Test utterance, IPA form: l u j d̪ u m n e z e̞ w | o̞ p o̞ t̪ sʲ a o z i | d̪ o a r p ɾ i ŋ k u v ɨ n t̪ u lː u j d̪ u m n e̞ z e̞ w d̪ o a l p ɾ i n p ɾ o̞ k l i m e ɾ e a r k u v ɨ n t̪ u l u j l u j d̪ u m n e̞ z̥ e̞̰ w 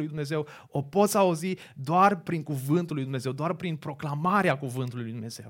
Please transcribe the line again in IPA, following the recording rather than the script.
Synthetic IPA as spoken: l u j d̪ u m n e z e̞ w | o̞ p o̞ t̪ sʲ a u z i | d̪ o a r p ɾ i ŋ k u v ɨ n t̪ u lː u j d̪ u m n e̞ z e̞ w d̪ o a r p ɾ i n p ɾ o̞ k l a m a ɾ e a k u v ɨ n t̪ u l u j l u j d̪ u m n e̞ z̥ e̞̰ w